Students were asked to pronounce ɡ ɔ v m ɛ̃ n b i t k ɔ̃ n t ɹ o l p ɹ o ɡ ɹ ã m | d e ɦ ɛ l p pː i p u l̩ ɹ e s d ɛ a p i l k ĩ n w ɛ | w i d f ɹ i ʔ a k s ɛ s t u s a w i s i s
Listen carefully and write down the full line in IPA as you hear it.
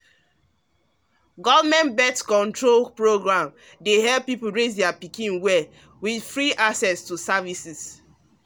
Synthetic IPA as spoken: ɡ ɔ v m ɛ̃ n b ɛ t k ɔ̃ n t ɹ o l p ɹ o ɡ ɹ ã m | d e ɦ ɛ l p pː i p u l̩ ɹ e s d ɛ a p i k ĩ n w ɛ | w i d f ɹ i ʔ a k s ɛ s t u s a v i s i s